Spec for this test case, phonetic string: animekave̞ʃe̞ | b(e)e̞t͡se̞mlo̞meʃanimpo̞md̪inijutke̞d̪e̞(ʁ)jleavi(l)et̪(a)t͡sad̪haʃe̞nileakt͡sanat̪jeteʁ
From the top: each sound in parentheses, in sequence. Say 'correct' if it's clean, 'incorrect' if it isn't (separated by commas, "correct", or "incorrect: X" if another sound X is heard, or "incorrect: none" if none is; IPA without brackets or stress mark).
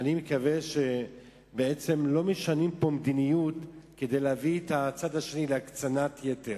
correct, incorrect: none, incorrect: none, correct